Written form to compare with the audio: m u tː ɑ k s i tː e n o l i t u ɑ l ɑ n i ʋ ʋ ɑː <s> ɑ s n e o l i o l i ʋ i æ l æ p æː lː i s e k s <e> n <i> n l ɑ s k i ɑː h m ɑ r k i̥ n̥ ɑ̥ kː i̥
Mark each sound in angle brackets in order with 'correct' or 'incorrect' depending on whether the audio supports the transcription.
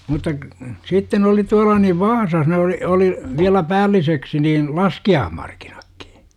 correct, incorrect: i, incorrect: iː

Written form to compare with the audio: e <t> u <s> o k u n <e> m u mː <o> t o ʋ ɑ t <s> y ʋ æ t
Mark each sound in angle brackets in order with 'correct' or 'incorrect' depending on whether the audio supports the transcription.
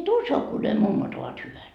correct, correct, correct, correct, incorrect: h

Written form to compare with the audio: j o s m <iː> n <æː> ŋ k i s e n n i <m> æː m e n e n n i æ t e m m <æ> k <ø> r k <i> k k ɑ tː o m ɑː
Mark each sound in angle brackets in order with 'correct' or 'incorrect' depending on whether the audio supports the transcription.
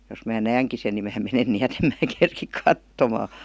incorrect: æː, correct, correct, incorrect: æː, incorrect: e, correct

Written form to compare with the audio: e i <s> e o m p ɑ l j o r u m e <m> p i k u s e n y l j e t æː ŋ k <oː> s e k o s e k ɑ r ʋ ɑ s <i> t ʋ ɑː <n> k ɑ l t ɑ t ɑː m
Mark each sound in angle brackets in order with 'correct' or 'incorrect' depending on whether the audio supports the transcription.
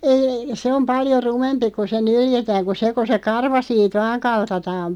correct, correct, incorrect: o, incorrect: iː, incorrect: ŋ

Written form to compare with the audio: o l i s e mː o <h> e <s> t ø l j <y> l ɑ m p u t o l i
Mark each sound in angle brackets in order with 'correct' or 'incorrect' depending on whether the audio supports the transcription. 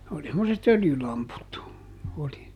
incorrect: s, incorrect: none, correct

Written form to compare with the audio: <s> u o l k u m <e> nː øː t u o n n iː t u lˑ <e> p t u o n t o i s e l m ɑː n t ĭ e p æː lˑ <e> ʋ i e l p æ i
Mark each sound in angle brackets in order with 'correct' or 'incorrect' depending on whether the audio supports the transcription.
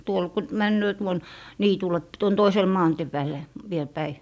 incorrect: t, incorrect: æ, correct, correct

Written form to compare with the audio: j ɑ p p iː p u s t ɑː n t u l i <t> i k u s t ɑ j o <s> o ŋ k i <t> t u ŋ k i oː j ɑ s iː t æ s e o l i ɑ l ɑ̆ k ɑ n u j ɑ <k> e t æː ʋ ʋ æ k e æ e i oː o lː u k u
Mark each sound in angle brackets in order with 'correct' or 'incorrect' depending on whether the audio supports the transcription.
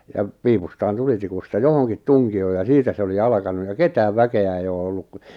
correct, incorrect: h, correct, correct

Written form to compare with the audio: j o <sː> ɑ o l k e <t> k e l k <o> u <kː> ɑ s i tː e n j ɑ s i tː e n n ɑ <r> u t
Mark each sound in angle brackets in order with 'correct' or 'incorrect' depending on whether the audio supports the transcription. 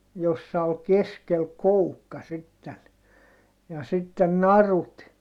correct, incorrect: s, correct, correct, correct

